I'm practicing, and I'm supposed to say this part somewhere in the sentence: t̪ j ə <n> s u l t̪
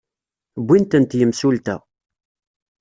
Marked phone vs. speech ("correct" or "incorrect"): incorrect